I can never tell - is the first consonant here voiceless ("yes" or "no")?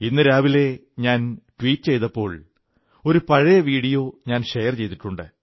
no